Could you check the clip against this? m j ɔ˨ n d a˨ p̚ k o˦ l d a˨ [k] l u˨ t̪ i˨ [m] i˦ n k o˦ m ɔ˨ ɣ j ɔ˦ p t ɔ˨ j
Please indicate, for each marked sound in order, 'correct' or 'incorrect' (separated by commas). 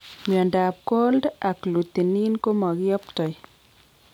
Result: correct, incorrect